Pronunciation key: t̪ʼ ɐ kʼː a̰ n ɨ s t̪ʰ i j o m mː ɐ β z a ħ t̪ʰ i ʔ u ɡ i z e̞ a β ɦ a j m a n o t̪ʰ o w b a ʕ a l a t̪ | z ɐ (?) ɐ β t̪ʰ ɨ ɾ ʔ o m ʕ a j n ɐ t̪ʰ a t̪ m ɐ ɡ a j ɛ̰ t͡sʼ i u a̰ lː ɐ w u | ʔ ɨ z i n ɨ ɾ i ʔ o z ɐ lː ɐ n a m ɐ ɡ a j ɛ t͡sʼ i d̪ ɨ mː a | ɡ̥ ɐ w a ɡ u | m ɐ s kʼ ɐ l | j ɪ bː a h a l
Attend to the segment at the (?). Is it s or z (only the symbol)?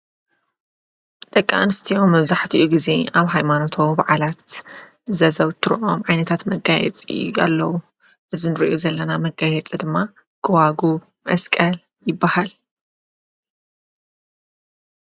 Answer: z